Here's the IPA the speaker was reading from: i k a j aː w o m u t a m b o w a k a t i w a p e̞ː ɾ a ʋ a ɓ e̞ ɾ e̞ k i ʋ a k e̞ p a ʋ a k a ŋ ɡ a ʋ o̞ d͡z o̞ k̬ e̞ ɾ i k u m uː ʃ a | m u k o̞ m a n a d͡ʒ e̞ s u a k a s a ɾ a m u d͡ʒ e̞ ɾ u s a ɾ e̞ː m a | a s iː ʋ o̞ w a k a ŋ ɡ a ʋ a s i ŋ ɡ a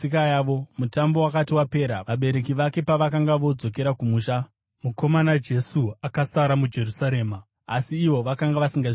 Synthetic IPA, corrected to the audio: i k a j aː ʋ o m u t a m b o w a k a t i w a p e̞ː ɾ a ʋ a ɓ e̞ ɾ e̞ k i ʋ a k e̞ p a ʋ a k a ŋ ɡ a ʋ o̞ d͡z o̞ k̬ e̞ ɾ a k u m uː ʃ a | m u k o̞ m a n a d͡ʒ e̞ s u a k a s a ɾ a m u d͡ʒ e̞ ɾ u s a ɾ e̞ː m a | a s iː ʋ o̞ ʋ a k a ŋ ɡ a ʋ a s i ŋ ɡ a

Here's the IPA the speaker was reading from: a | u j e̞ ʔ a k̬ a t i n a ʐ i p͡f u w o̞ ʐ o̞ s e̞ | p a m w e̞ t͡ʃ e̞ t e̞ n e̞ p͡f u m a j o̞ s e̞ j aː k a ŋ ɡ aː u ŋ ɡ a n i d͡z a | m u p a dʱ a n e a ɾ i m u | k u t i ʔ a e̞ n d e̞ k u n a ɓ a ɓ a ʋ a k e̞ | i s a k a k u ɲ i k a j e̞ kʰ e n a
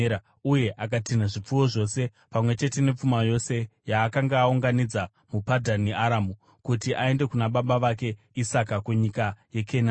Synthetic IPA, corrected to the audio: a | u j e̞ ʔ a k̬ a t i n a ʐ i p͡f u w o̞ ʐ o̞ s e̞ | p a m w e̞ t͡ʃ e̞ t e̞ n e̞ p͡f u m a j o̞ s e̞ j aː k a ŋ ɡ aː u ŋ ɡ a n i d͡z a | m u p a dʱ a n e a ɾ a m u | k u t i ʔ a e̞ n d e̞ k u n a ɓ a ɓ a ʋ a k e̞ | i s a k a k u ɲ i k a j e̞ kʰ e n a

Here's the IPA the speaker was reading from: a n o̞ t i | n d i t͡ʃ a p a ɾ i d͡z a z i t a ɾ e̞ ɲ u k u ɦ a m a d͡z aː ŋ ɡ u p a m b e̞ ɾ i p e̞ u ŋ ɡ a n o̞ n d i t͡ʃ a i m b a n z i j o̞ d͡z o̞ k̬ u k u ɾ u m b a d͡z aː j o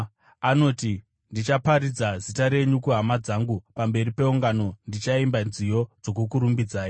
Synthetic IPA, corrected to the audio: a n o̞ t i | n d i t͡ʃ a p a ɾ i d͡z a z i t a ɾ e̞ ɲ u k u ɦ a m a d͡z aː ŋ ɡ u p a m b e̞ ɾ i p e̞ u ŋ ɡ a n o̞ n d i t͡ʃ a i m b a n z i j o̞ d͡z o̞ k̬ u k u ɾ u m b i d͡z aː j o

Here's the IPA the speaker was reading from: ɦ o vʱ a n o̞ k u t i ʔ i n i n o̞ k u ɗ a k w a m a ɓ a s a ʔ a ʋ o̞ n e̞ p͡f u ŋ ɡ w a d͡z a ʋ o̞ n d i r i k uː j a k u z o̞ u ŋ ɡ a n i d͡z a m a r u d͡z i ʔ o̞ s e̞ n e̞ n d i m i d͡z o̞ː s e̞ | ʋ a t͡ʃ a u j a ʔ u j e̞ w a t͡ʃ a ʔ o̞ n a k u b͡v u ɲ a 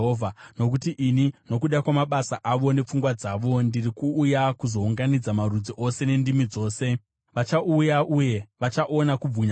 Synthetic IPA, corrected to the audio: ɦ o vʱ a n o̞ k u t i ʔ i n i n o̞ k u ɗ a k w a m a ɓ a s a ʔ a ʋ o̞ n e̞ p͡f u ŋ ɡ w a d͡z a ʋ o̞ n d i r i k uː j a k u z o̞ u ŋ ɡ a n i d͡z a m a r u d͡z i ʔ o̞ s e̞ n e̞ n d i m i d͡z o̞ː s e̞ | ʋ a t͡ʃ a u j a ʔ u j e̞ ʋ a t͡ʃ a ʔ o̞ n a k u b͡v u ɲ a

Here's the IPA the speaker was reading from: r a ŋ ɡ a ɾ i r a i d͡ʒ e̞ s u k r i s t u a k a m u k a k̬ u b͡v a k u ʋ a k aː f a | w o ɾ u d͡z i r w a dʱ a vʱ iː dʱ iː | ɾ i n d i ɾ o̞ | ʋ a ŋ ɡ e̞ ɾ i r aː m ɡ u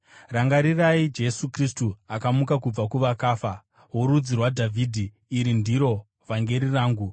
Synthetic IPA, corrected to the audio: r a ŋ ɡ a ɾ i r a i d͡ʒ e̞ s u k r i s t u a k a m u k a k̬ u b͡v a k u ʋ a k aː f a | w o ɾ u d͡z i r w a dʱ a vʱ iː dʱ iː | ɾ i n d i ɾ o̞ | ʋ a ŋ ɡ e̞ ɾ i r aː ŋ ɡ u

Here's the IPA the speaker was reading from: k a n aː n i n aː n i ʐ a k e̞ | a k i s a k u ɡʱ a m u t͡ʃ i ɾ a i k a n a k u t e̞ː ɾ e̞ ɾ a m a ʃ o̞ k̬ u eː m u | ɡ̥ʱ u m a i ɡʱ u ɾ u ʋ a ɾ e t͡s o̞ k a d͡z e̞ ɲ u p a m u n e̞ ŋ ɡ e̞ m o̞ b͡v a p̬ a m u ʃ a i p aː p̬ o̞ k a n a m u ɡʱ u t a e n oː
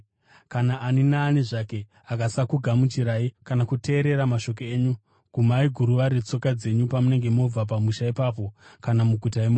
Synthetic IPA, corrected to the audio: k a n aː n i n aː n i ʐ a k e̞ | a k a s a k u ɡʱ a m u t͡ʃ i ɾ a i k a n a k u t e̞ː ɾ e̞ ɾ a m a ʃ o̞ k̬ o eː ɲ u | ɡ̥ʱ u m a i ɡʱ u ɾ u ʋ a ɾ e t͡s o̞ k a d͡z e̞ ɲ u p a m u n e̞ ŋ ɡ e̞ m o̞ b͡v a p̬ a m u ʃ a i p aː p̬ o̞ k a n a m u ɡʱ u t a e m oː

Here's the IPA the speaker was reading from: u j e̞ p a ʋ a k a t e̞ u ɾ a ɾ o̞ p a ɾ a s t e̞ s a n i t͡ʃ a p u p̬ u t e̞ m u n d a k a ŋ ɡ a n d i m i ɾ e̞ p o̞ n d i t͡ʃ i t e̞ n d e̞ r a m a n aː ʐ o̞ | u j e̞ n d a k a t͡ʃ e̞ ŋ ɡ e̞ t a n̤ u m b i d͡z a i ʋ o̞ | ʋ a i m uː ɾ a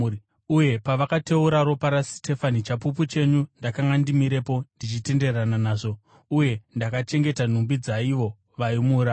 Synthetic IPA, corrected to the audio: u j e̞ p a ʋ a k a t e̞ u ɾ a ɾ o̞ p a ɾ a s t e̞ f a n i t͡ʃ a p u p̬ u t͡ʃ e̞ ɲ u n d a k a ŋ ɡ a n d i m i ɾ e̞ p o̞ n d i t͡ʃ i t e̞ n d e̞ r a n a n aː ʐ o̞ | u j e̞ n d a k a t͡ʃ e̞ ŋ ɡ e̞ t a n̤ u m b i d͡z a i ʋ o̞ | ʋ a i m uː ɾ a

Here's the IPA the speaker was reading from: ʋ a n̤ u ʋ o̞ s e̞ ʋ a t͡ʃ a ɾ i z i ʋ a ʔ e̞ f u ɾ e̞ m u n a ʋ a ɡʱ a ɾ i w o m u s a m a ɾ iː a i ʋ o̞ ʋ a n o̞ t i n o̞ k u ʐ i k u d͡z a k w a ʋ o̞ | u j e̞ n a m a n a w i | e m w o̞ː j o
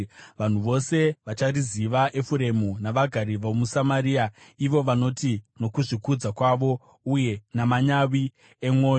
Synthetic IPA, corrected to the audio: ʋ a n̤ u ʋ o̞ s e̞ ʋ a t͡ʃ a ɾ i z i ʋ a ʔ e̞ f u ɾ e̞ m u n a ʋ a ɡʱ a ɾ i ʋ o m u s a m a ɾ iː a i ʋ o̞ ʋ a n o̞ t i n o̞ k u ʐ i k u d͡z a k w a ʋ o̞ | u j e̞ n a m a ɲ a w i | e m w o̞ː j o

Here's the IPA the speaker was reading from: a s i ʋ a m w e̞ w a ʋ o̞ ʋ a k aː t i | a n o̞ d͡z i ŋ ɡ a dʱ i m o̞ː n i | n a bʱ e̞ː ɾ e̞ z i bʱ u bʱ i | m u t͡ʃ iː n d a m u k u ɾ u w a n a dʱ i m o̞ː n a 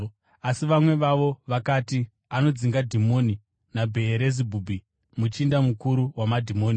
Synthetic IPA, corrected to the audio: a s i ʋ a m w e̞ ʋ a ʋ o̞ ʋ a k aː t i | a n o̞ d͡z i ŋ ɡ a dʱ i m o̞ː n i | n a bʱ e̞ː ɾ e̞ z i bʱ u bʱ i | m u t͡ʃ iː n d a m u k u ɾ u w a m a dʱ i m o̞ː n i

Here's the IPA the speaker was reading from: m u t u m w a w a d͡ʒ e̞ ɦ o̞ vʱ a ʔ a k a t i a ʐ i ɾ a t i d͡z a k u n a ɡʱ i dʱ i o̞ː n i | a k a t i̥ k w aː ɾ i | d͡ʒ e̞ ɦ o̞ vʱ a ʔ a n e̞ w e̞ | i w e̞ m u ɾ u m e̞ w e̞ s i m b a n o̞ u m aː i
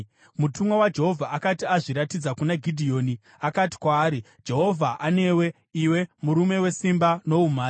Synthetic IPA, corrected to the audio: m u t u m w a w a d͡ʒ e̞ ɦ o̞ vʱ a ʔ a k a t i a ʐ i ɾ a t i d͡z a k u n a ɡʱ i dʱ i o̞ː n i | a k a t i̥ k w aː ɾ i | d͡ʒ e̞ ɦ o̞ vʱ a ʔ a n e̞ w e̞ | i w e̞ m u ɾ u m e̞ w e̞ s i m b a n o̞ u m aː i

